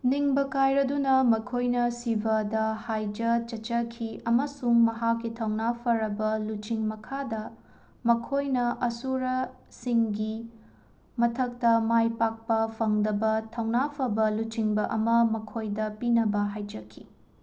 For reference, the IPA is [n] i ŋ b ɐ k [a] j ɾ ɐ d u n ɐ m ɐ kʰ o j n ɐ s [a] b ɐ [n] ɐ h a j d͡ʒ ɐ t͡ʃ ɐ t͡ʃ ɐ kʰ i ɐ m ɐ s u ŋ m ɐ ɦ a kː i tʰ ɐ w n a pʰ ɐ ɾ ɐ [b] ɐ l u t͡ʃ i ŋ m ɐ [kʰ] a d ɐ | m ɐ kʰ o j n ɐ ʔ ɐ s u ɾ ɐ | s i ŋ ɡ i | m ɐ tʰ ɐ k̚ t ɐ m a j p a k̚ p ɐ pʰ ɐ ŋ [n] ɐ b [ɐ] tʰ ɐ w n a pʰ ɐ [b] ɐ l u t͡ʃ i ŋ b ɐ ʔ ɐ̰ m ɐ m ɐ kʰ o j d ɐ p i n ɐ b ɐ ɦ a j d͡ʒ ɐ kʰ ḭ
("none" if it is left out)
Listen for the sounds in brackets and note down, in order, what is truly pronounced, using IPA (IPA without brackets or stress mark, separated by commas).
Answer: n, a, i, d, b, kʰ, d, ɐ, b